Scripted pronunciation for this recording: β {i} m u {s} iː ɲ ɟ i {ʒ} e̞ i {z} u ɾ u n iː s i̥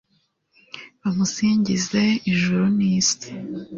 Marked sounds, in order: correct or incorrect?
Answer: incorrect: a, correct, incorrect: z, incorrect: ʒ

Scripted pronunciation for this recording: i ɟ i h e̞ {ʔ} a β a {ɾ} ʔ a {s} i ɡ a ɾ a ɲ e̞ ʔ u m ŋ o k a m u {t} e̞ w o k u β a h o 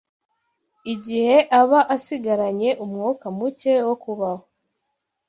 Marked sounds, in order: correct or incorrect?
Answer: correct, incorrect: none, correct, incorrect: c

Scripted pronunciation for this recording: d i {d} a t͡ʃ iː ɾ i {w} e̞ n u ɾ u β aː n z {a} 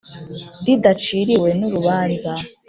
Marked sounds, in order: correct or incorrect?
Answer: correct, correct, correct

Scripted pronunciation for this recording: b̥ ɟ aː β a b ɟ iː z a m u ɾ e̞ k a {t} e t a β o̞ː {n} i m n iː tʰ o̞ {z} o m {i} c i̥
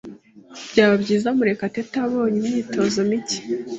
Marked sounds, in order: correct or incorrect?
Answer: correct, incorrect: ɲ, correct, correct

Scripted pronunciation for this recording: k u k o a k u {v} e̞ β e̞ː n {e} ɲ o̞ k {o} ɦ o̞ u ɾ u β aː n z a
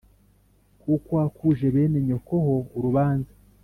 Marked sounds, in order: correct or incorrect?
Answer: incorrect: ʒ, correct, correct

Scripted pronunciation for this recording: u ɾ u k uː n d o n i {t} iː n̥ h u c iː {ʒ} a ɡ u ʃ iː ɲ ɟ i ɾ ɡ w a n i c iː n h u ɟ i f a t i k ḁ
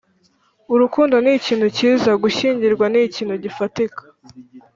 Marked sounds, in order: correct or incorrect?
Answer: incorrect: c, incorrect: z

